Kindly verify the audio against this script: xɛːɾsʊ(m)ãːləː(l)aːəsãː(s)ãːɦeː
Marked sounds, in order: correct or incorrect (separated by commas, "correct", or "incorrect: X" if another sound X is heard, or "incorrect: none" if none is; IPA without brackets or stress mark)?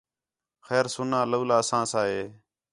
incorrect: n, correct, correct